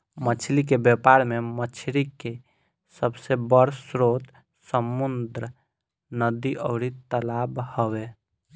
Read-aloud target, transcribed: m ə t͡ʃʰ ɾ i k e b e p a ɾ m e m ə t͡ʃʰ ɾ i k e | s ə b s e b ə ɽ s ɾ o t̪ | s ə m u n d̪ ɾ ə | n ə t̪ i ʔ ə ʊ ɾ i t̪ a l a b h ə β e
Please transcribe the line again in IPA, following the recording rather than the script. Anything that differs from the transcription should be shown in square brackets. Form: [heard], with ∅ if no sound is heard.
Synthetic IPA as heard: m ə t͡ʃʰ [l] i k e b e p a ɾ m e m ə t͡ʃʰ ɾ i k e | s ə b s e b ə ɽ s ɾ o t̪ | s ə m u n d̪ ɾ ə | n ə [d̪] i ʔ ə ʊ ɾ i t̪ [ə] l a b h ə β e

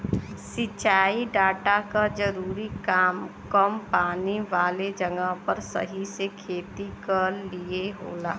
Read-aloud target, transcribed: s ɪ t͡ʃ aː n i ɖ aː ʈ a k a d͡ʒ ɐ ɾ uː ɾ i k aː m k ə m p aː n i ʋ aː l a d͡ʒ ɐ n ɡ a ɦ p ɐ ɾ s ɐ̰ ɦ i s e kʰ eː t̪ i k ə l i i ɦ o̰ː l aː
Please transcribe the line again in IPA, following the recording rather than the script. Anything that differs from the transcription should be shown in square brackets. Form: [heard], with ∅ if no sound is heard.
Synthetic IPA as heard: s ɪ t͡ʃ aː [∅] i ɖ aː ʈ a k a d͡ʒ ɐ ɾ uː ɾ i k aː m k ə m p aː n i ʋ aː l [e] d͡ʒ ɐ [ŋ] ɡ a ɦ p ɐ ɾ s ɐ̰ ɦ i s e kʰ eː t̪ i k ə l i [e] ɦ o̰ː l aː

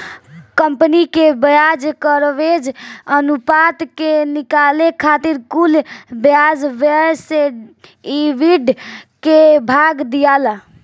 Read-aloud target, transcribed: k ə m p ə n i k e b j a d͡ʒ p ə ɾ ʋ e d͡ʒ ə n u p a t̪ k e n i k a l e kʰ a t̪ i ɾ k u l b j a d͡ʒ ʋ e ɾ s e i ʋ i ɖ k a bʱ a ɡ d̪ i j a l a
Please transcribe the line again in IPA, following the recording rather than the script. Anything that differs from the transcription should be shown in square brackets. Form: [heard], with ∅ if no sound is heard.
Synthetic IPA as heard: k ə m p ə n i k e b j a d͡ʒ [k] ə ɾ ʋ e d͡ʒ ə n u p a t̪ k e n i k a l e kʰ a t̪ i ɾ k u l b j a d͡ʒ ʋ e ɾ s e i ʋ i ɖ k [e] bʱ a ɡ d̪ i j a l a

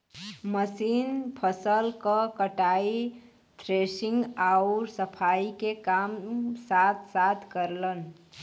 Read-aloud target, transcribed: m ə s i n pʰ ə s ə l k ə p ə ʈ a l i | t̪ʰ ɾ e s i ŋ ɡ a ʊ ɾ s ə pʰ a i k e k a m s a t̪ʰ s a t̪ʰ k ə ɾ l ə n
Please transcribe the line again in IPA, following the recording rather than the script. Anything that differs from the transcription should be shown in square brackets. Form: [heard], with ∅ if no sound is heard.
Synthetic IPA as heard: m ə s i n pʰ ə s ə l k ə [k] ə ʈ a [∅] i | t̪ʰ ɾ e s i ŋ ɡ a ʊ ɾ s ə pʰ a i k e k a m s a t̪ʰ s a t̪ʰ k ə ɾ l ə n

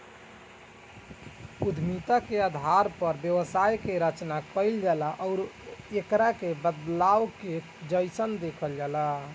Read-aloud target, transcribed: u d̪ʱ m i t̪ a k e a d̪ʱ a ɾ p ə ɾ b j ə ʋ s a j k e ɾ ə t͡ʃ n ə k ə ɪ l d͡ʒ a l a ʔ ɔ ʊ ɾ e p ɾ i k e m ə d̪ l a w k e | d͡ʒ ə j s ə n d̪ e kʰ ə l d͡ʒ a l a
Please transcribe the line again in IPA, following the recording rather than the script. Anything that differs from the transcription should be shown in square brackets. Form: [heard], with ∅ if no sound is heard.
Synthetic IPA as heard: u d̪ʱ m i t̪ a k e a d̪ʱ a ɾ p ə ɾ b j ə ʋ s a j k e ɾ ə t͡ʃ n [a] k ə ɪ l d͡ʒ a l a ʔ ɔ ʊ ɾ e [k] ɾ [a] k e [b] ə d̪ l a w k e | d͡ʒ ə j s ə n d̪ e kʰ ə l d͡ʒ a l a

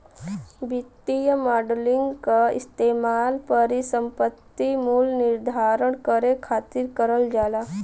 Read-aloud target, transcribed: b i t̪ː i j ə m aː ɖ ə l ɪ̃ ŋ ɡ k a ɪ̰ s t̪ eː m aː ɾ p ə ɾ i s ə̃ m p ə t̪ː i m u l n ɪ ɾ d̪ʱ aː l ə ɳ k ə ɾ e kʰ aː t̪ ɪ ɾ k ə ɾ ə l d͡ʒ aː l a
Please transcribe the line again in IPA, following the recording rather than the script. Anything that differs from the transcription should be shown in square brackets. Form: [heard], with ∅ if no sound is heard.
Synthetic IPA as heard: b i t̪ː i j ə m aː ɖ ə l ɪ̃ ŋ ɡ k a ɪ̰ s t̪ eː m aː [l] p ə ɾ i s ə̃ m p ə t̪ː i m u l n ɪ ɾ d̪ʱ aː [ɾ] ə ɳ k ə ɾ e kʰ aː t̪ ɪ ɾ k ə ɾ ə l d͡ʒ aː l a

